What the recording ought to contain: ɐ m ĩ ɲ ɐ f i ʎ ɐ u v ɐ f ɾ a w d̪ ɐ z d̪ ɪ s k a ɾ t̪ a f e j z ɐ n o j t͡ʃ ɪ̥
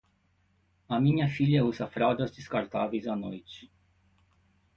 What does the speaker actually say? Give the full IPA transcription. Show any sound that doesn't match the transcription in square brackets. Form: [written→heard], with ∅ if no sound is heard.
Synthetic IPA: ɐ m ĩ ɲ ɐ f i ʎ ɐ u [v→z] ɐ f ɾ a w d̪ ɐ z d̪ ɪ s k a ɾ t̪ a [f→v] e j z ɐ n o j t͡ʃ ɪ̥